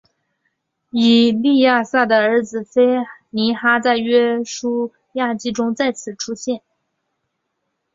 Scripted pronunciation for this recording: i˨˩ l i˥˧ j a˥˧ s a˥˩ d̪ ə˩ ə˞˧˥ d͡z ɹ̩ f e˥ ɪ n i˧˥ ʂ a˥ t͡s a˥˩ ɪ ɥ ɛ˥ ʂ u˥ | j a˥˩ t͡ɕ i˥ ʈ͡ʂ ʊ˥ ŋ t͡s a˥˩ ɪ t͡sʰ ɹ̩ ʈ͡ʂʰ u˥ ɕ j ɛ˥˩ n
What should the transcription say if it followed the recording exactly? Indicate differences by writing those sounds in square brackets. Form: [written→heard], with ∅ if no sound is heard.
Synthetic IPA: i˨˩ l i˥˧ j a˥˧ s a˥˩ d̪ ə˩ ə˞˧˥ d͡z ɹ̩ f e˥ ɪ n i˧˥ [ʂ→x] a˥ t͡s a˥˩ ɪ ɥ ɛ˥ ʂ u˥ | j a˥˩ t͡ɕ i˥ ʈ͡ʂ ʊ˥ ŋ t͡s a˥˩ ɪ t͡sʰ ɹ̩ ʈ͡ʂʰ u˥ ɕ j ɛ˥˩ n